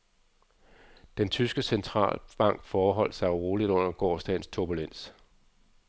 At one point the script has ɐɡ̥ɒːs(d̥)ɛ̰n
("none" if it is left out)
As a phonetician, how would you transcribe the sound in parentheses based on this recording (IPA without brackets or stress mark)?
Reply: d̥